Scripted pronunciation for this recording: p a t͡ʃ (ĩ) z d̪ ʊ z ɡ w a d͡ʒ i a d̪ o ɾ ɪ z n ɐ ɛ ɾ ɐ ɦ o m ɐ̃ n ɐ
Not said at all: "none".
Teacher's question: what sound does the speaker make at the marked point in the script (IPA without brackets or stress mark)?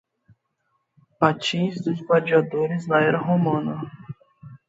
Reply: ĩ